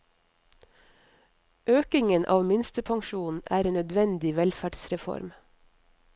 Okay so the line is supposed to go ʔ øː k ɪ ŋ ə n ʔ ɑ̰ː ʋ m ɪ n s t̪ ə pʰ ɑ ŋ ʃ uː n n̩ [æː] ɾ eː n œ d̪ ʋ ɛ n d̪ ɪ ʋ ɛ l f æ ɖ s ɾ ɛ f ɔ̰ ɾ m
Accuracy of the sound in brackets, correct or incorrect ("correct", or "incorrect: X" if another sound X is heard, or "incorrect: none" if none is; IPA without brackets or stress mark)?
correct